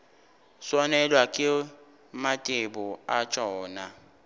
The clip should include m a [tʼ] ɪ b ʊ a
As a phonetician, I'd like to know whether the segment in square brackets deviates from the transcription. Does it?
no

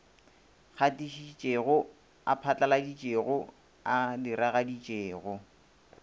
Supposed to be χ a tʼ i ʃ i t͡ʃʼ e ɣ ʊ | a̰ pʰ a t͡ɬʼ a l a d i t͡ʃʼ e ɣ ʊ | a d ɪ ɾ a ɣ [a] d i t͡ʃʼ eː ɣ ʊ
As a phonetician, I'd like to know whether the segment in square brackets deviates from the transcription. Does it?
no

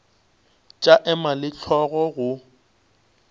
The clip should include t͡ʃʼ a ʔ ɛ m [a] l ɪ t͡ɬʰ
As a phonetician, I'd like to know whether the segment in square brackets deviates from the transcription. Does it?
no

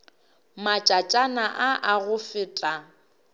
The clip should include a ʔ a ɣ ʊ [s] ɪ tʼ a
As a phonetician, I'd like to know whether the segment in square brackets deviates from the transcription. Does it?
yes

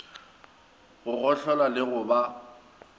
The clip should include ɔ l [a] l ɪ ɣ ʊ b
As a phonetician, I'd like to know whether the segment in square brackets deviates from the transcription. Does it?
no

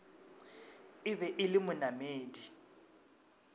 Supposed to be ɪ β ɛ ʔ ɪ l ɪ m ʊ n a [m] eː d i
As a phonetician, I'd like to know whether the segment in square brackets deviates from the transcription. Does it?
no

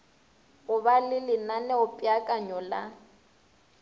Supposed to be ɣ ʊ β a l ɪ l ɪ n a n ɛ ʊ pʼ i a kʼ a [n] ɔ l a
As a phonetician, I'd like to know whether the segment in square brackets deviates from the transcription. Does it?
yes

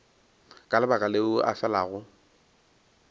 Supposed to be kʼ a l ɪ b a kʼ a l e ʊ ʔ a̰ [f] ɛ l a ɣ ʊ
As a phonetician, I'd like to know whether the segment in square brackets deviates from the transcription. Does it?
no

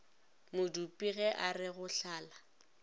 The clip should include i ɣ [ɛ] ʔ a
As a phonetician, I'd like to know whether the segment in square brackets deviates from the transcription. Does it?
no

